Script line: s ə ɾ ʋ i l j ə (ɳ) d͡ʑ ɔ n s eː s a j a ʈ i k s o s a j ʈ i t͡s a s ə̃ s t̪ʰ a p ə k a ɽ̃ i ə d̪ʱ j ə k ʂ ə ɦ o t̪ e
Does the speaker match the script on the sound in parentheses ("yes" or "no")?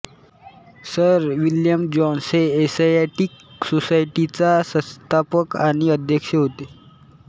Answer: no